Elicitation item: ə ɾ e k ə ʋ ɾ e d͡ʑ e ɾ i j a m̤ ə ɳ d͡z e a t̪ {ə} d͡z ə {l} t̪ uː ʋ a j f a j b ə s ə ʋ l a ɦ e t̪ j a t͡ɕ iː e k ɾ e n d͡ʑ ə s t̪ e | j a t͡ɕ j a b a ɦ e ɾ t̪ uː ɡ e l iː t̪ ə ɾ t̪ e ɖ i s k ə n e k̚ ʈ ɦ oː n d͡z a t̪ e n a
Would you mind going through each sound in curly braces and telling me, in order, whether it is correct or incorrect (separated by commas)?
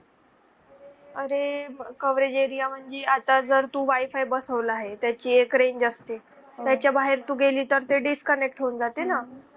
incorrect, incorrect